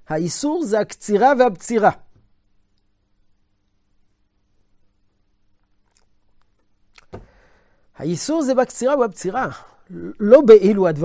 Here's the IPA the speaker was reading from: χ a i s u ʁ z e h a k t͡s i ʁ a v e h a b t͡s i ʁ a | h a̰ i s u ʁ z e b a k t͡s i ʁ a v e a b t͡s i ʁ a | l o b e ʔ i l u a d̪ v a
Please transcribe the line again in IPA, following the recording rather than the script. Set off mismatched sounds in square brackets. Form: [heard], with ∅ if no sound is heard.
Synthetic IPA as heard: [h] a i s u ʁ z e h a k t͡s i ʁ a v e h a b t͡s i ʁ a | h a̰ i s u ʁ z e b a k t͡s i ʁ a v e a b t͡s i ʁ a | l o b e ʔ i l u a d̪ v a